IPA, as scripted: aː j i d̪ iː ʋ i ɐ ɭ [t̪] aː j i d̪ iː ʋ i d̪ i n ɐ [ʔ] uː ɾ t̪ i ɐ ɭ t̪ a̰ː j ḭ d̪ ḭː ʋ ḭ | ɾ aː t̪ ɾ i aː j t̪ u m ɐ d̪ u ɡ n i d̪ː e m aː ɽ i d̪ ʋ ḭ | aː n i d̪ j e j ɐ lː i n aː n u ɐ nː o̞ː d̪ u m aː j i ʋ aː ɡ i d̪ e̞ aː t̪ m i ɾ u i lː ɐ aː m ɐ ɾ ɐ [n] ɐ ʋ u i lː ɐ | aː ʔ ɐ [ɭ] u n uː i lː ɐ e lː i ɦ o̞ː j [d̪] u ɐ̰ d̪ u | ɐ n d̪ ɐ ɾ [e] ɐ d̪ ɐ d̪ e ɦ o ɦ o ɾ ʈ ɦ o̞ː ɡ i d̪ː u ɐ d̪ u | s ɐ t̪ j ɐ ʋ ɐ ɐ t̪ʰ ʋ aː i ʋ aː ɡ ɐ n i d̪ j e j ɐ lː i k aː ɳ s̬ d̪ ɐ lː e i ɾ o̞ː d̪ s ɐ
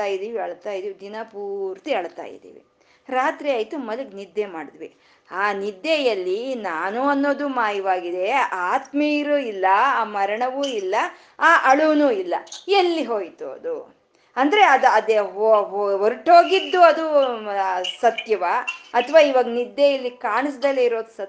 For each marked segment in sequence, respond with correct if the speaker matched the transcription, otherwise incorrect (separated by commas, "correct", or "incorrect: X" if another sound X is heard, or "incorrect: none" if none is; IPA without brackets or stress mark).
correct, incorrect: p, incorrect: ɳ, correct, incorrect: t̪, correct